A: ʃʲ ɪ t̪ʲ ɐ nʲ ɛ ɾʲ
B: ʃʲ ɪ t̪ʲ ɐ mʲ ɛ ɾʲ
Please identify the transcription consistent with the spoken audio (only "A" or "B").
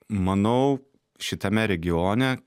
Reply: B